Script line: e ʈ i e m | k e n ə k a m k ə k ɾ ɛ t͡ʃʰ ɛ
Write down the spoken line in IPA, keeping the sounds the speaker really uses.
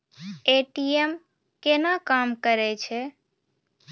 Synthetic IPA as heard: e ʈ i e m | k e n a k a m k ə ɾ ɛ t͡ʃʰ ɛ